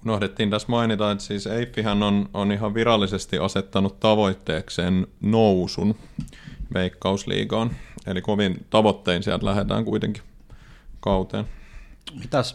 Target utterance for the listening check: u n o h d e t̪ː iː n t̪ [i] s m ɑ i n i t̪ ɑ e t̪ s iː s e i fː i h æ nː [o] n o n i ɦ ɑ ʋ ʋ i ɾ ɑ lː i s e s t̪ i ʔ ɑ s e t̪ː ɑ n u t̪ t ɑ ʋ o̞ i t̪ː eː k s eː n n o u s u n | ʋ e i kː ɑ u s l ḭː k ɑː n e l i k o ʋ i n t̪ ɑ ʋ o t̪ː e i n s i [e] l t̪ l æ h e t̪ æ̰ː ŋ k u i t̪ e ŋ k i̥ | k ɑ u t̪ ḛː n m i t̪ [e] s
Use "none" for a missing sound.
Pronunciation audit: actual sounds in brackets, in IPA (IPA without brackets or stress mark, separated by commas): æ, o, æ, æ